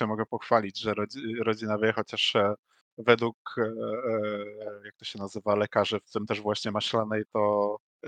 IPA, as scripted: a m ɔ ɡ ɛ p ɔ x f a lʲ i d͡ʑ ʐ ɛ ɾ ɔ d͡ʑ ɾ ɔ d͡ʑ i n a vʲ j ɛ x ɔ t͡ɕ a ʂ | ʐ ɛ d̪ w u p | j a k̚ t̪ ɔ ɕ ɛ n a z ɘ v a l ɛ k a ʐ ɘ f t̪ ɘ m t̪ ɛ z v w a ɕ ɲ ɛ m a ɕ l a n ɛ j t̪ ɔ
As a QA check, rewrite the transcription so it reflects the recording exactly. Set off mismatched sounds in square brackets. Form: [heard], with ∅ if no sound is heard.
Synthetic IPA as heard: [ɛ] m ɔ ɡ ɛ p ɔ x f a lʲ i d͡ʑ ʐ ɛ ɾ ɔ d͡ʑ ɾ ɔ d͡ʑ i n a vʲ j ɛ x ɔ t͡ɕ a ʂ | [v] ɛ d̪ w u [k] | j a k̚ t̪ ɔ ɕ ɛ n a z ɘ v a l ɛ k a ʐ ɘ f t̪ ɘ m t̪ ɛ [ʐ] v w a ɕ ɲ ɛ m a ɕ l a n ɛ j t̪ ɔ